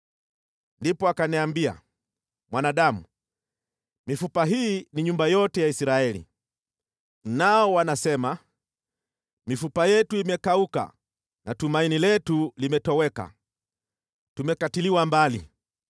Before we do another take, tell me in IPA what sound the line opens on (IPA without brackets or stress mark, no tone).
n